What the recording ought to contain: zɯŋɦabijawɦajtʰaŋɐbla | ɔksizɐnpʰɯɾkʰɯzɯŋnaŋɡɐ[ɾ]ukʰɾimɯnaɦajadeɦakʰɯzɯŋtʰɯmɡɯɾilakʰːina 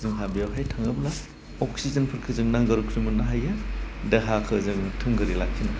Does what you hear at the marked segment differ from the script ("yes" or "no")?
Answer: no